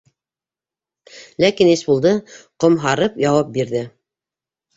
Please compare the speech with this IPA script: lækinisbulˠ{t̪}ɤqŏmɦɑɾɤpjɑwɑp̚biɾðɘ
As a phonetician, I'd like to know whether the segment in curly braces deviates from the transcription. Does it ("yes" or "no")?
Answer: yes